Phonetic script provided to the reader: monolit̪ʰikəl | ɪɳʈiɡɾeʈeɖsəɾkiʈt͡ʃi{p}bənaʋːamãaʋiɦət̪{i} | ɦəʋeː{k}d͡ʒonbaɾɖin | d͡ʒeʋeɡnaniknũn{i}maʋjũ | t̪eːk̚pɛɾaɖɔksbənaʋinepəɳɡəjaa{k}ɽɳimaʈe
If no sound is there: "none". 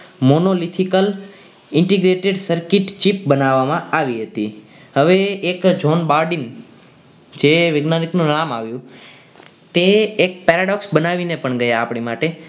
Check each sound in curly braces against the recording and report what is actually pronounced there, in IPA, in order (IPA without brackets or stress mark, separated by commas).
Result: p, i, k, a, p